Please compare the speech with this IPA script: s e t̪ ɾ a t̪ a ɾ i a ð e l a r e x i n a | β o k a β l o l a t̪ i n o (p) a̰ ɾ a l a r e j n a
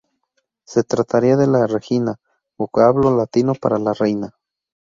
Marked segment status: correct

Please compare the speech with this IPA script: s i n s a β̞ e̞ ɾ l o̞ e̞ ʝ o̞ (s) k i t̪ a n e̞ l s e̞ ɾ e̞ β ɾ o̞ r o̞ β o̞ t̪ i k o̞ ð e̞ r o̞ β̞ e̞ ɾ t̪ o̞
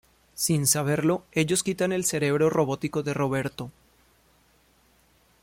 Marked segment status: correct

